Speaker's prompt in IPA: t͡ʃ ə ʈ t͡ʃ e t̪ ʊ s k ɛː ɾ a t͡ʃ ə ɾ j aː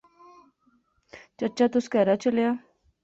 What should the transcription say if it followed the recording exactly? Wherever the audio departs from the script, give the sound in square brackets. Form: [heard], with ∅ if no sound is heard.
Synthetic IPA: t͡ʃ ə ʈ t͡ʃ [a] t̪ ʊ s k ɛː ɾ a t͡ʃ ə [l] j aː